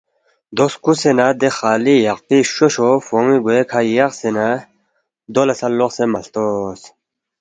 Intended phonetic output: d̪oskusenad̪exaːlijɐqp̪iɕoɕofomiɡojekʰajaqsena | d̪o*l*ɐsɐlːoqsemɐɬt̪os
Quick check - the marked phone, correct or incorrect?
correct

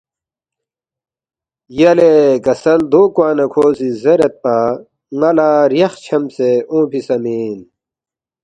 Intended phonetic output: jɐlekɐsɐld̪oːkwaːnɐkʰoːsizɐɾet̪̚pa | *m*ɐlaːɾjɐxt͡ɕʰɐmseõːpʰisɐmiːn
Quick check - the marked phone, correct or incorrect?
incorrect: ŋ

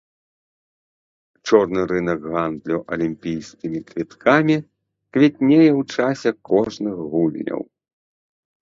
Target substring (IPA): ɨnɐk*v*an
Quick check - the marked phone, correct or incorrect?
incorrect: ɣ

